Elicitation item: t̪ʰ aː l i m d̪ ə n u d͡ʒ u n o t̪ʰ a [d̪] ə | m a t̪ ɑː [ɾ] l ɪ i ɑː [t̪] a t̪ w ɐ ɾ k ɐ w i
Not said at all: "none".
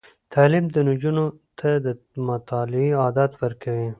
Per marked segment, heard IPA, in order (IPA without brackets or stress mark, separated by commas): d̪, none, d̪